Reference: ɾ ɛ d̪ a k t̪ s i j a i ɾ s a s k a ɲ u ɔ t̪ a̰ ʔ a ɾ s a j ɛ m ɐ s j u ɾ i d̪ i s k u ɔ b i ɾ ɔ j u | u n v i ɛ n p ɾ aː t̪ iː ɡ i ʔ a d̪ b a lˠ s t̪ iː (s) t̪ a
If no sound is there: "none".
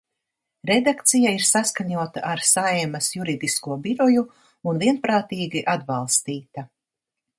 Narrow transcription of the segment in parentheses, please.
none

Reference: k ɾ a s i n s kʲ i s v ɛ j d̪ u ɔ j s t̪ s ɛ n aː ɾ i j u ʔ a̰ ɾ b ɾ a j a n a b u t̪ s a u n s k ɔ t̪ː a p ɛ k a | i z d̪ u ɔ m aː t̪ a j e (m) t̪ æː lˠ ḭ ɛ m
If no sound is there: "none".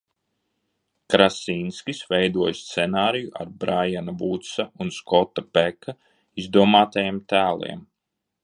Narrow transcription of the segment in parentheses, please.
m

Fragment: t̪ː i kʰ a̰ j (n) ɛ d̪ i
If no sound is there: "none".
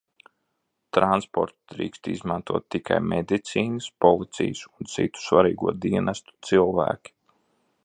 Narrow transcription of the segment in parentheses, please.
m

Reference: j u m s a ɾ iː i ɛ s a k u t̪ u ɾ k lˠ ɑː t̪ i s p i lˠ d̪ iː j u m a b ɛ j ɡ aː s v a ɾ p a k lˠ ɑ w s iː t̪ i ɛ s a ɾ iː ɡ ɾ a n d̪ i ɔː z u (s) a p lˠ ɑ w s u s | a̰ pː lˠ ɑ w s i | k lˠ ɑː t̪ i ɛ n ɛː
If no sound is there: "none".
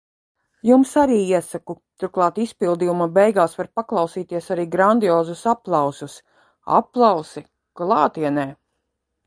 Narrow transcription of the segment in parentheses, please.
s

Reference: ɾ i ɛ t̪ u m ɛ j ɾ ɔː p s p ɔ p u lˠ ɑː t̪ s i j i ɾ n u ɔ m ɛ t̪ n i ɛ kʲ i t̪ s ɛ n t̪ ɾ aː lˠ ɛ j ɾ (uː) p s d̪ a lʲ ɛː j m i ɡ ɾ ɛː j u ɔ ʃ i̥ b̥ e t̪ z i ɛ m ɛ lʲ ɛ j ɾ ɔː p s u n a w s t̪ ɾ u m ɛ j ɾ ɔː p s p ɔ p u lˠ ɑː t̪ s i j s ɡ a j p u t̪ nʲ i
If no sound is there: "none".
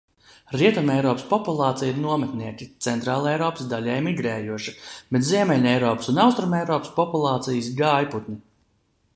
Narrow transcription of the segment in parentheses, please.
ɔː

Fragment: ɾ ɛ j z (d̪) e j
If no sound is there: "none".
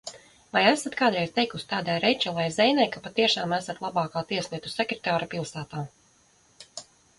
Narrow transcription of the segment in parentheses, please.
t̪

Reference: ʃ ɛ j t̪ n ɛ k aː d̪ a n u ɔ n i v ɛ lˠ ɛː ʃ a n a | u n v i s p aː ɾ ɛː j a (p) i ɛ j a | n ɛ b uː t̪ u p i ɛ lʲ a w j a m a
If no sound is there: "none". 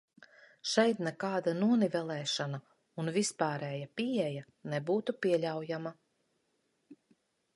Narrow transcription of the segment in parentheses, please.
p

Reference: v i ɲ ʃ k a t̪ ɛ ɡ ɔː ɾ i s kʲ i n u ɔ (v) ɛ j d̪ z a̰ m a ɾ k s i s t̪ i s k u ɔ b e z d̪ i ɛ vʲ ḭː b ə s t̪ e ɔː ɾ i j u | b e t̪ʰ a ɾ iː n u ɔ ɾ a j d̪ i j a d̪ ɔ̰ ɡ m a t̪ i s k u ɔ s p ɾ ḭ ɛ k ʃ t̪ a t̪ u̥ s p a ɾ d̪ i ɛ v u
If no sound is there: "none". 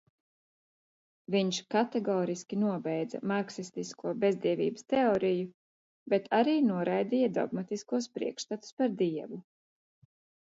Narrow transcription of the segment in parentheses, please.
b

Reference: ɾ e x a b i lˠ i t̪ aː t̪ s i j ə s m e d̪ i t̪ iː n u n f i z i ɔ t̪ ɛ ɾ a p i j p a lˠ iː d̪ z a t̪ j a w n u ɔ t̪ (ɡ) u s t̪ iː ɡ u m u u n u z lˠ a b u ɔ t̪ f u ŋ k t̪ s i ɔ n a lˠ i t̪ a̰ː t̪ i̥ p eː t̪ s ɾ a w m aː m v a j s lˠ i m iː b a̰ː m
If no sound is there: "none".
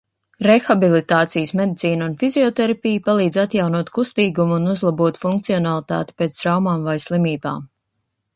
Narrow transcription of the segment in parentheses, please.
k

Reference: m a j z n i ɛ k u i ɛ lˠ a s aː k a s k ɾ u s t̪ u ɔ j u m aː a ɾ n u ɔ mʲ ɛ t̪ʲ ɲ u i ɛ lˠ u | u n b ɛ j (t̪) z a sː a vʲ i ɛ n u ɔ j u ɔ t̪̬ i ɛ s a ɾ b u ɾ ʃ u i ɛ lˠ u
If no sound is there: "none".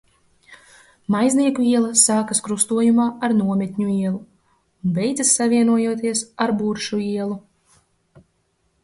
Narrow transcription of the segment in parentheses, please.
d̪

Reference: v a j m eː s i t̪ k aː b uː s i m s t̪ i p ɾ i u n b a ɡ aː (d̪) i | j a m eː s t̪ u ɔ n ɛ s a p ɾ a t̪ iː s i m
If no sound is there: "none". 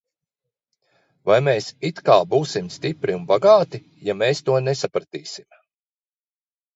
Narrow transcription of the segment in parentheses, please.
t̪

